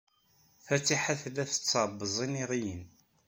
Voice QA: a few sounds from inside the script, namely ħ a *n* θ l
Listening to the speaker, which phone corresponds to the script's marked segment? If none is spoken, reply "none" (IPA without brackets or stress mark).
none